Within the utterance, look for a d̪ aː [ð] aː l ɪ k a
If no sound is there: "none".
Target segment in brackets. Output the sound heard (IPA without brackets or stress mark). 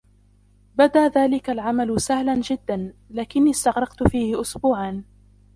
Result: ð